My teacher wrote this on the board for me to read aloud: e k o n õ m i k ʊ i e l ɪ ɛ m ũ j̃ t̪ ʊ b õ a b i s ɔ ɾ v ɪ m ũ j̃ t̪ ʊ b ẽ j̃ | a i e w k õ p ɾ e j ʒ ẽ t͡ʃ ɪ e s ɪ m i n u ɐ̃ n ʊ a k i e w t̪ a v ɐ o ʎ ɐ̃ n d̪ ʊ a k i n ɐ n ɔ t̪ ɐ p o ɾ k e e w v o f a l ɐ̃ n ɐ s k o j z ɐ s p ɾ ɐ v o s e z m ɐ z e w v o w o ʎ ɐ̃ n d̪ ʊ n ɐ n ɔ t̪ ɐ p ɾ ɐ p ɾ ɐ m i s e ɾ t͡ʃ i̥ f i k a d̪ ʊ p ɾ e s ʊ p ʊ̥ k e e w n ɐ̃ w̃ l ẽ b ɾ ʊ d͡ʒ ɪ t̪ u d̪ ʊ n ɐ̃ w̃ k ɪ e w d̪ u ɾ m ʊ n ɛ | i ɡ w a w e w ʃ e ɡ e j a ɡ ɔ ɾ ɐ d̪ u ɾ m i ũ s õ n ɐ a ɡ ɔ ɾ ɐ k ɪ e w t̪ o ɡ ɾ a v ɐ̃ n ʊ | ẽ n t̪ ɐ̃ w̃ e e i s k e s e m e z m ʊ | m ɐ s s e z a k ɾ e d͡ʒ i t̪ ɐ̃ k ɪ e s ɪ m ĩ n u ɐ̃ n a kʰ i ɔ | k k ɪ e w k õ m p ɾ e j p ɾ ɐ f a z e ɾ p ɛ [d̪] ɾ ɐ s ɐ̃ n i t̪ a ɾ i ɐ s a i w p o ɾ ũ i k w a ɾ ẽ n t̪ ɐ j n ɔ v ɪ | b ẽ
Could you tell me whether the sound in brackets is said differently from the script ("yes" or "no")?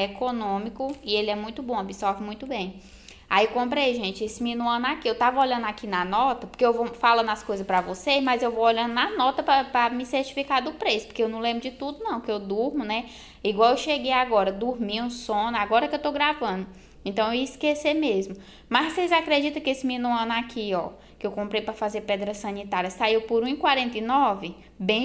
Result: no